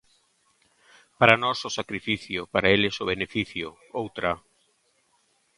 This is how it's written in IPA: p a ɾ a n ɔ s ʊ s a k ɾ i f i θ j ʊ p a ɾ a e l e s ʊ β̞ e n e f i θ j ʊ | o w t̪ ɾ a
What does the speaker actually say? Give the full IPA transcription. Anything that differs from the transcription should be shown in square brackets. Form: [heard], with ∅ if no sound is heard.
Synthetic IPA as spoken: p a ɾ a n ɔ s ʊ s a k ɾ i f i θ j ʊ p a ɾ a e l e s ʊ β̞ e n e f i θ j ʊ | o w t̪ ɾ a